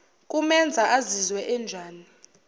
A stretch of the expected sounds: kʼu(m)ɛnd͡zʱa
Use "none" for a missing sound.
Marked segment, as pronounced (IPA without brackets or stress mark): m